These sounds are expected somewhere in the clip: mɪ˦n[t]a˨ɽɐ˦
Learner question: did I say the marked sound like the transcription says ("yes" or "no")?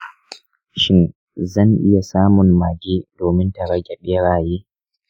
yes